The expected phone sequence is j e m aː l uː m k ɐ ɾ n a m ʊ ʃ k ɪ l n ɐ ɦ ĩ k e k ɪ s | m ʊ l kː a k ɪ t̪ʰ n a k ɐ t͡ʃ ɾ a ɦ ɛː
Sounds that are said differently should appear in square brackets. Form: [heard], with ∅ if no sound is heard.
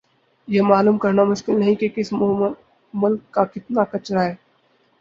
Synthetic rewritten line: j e m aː l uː m k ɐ ɾ n a m ʊ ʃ k ɪ l n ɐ ɦ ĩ k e k ɪ s | m ʊ l kː a k ɪ [t̪] n a k ɐ t͡ʃ ɾ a ɦ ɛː